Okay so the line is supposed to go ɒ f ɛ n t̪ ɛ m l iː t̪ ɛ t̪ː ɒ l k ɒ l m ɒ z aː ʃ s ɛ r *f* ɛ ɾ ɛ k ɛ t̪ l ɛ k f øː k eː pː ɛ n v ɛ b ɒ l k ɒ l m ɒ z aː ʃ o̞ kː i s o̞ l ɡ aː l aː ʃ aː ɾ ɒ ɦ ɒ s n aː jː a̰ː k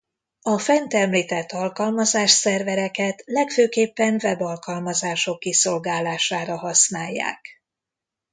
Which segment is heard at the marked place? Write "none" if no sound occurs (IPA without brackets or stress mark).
v